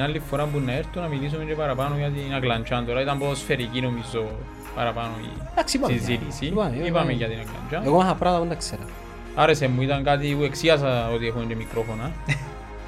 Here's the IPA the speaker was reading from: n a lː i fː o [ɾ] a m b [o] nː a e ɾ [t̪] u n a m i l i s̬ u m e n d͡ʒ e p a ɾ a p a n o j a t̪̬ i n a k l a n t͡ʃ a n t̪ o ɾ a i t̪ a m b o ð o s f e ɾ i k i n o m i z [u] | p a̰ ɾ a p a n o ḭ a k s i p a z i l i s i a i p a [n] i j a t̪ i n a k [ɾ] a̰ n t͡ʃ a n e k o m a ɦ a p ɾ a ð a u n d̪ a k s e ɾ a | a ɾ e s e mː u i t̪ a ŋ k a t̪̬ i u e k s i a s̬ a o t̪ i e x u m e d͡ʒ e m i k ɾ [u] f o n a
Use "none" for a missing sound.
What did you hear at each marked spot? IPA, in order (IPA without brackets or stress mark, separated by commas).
ɾ, u, t̪, o, m, l, o